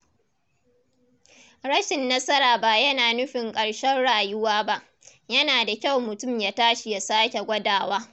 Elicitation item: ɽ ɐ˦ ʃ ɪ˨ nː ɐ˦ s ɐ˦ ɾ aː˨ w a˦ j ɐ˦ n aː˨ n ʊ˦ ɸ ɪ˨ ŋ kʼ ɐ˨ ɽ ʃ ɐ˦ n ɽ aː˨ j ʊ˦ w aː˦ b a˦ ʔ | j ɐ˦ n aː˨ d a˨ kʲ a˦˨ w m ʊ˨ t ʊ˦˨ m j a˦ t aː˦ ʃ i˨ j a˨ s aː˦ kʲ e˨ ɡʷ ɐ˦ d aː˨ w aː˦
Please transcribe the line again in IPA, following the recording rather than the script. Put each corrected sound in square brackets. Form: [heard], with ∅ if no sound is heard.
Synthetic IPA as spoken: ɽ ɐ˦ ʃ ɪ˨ nː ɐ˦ s ɐ˦ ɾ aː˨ [b] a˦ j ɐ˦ n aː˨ n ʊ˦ ɸ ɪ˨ ŋ kʼ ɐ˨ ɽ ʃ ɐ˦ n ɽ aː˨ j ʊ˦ w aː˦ b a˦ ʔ | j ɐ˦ n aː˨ d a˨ kʲ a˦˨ w m ʊ˨ t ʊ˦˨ m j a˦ t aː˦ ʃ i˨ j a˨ s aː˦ kʲ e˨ ɡʷ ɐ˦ d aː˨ w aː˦